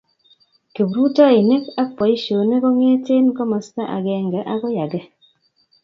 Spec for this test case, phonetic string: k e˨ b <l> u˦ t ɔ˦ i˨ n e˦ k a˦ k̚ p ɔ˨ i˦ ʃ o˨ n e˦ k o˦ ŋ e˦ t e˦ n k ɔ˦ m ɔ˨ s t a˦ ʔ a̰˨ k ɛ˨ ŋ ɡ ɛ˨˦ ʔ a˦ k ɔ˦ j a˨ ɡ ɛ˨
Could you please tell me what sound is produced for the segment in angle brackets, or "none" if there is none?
ɾ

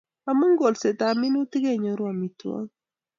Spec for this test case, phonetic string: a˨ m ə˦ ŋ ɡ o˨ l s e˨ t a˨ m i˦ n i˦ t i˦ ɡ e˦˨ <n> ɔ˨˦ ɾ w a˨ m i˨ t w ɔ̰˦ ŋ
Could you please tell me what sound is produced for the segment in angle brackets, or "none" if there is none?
ɲ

